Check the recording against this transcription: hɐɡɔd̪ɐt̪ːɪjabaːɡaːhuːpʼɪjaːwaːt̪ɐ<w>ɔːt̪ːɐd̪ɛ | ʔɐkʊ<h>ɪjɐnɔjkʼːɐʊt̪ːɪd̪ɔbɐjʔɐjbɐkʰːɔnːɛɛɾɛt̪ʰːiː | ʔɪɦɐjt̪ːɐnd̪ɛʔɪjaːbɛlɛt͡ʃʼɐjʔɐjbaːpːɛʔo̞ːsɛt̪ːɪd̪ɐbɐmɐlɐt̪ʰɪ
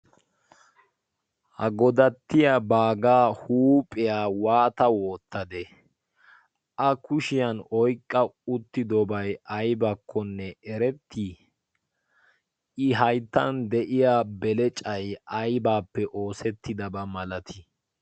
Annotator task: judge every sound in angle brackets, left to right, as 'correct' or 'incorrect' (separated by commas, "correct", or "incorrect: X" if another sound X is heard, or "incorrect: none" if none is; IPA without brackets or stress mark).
correct, incorrect: ʃ